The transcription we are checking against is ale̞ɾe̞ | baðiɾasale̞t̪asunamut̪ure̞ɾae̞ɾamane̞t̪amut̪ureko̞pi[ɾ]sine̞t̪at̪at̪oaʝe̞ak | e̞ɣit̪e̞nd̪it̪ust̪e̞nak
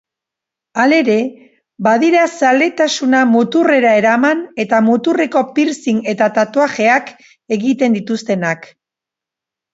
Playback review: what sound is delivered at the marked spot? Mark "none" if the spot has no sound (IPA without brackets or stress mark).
ɾ